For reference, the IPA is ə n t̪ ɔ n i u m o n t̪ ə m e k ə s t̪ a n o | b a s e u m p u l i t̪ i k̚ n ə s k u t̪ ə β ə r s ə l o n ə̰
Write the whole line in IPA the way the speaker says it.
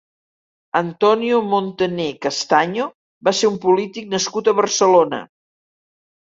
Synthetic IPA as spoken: ə n t̪ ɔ n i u m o n t̪ ə n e k ə s t̪ a ɲ o | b a s e u m p u l i t̪ i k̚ n ə s k u t̪ ə β ə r s ə l o n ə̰